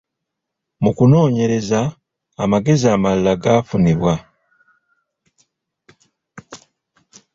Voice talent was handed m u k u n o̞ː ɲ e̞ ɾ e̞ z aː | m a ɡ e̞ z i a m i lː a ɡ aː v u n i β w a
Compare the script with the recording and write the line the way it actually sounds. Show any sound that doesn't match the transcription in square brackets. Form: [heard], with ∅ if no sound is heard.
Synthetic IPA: m u k u n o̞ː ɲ e̞ ɾ e̞ z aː | m a ɡ e̞ z i a m [a] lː a ɡ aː [f] u n i β w a